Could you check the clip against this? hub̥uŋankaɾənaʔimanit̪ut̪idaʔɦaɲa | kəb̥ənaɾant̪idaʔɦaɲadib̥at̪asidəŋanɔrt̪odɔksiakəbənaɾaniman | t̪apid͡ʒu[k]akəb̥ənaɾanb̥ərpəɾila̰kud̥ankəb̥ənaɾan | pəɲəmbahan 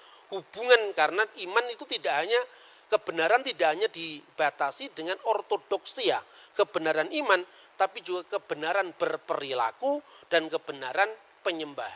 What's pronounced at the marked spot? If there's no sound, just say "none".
ɡ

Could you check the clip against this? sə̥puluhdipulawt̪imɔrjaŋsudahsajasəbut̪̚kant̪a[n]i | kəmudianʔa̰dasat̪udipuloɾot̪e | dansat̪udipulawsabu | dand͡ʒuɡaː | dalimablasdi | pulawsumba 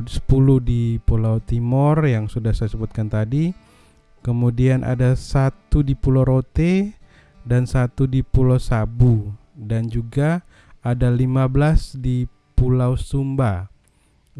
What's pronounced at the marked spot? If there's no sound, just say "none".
d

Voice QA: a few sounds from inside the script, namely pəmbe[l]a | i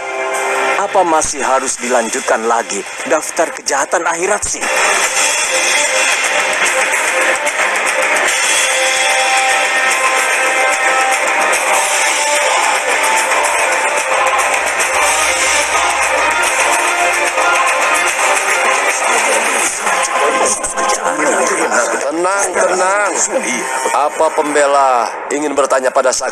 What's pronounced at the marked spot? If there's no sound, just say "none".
l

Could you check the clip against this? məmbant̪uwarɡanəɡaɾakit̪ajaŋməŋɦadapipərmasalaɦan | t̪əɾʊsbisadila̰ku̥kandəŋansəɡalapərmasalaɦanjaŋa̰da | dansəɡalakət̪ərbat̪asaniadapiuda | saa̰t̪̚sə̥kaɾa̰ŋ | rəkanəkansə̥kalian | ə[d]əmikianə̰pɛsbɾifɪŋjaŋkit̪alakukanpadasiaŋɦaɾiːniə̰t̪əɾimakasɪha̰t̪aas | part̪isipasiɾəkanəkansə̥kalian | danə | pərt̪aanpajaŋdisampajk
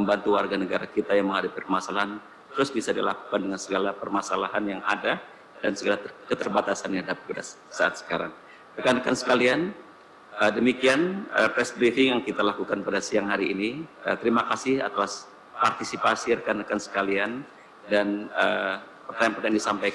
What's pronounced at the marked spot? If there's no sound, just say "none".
d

